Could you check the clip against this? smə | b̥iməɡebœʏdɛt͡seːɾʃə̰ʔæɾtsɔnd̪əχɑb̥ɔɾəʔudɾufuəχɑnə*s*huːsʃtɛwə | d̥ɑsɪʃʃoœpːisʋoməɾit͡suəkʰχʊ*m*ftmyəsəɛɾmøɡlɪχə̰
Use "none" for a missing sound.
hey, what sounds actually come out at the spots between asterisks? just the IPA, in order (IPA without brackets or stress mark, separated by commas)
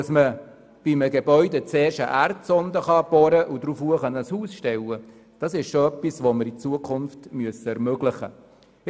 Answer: s, n